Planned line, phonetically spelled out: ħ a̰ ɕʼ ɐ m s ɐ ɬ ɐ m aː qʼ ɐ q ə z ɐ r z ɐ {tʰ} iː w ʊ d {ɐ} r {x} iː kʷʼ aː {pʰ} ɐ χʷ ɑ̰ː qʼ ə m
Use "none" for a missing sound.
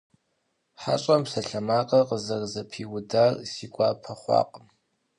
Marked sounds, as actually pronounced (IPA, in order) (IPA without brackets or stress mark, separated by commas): pʰ, a, s, pʰ